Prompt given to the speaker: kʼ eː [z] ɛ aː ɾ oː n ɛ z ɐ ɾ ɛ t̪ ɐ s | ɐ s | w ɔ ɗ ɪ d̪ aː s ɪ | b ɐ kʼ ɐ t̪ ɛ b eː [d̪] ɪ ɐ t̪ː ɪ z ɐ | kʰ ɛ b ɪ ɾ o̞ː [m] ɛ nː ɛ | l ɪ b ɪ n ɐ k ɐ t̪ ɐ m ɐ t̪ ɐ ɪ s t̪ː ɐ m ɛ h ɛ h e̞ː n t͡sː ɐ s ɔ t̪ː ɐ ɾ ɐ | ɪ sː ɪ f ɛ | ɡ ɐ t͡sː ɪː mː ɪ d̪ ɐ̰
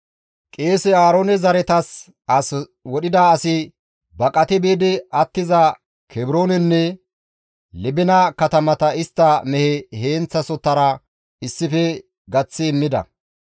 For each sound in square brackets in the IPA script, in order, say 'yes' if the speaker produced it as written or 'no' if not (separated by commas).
no, yes, no